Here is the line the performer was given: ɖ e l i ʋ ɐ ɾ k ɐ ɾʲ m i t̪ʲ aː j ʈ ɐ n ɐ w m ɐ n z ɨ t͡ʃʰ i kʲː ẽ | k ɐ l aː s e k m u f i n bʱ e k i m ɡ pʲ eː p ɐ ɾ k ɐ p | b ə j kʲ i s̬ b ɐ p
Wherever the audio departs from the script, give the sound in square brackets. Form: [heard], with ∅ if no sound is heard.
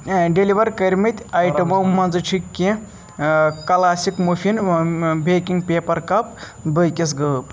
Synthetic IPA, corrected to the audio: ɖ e l i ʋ ɐ ɾ k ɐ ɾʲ m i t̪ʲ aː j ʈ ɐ [m] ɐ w m ɐ n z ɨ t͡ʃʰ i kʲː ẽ | k ɐ l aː s [i] k m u f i n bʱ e k i [ŋ] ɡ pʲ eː p ɐ ɾ k ɐ p | b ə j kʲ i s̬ [ɡ] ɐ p